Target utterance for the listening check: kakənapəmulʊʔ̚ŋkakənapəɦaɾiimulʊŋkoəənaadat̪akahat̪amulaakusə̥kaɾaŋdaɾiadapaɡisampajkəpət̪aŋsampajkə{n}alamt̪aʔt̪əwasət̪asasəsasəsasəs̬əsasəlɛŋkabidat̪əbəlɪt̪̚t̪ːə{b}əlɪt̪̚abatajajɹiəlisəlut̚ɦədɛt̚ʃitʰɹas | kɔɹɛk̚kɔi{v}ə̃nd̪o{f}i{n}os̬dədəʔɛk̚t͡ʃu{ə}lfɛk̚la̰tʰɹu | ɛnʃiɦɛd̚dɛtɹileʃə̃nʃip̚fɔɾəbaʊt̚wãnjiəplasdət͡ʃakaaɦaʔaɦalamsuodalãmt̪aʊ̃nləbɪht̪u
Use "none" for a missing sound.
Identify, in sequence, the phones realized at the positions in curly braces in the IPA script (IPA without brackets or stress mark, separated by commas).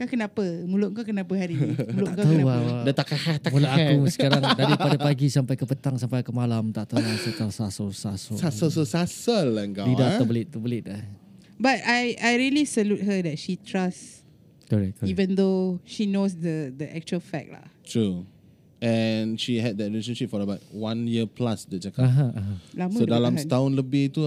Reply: m, b, v, ʃ, n, ə